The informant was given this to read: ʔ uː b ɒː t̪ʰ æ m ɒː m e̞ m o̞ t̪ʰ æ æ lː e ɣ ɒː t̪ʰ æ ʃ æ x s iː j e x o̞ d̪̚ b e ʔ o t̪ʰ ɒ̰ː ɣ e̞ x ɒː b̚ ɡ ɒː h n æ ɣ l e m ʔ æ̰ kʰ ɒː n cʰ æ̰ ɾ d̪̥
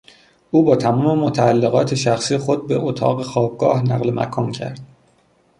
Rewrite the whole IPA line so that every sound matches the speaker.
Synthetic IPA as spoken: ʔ uː b ɒː t̪ʰ æ m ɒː m e̞ m o̞ t̪ʰ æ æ lː e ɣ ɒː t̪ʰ e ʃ æ x s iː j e x o̞ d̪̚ b e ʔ o t̪ʰ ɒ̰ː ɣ e̞ x ɒː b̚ ɡ ɒː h n æ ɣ l e m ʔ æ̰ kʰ ɒː n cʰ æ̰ ɾ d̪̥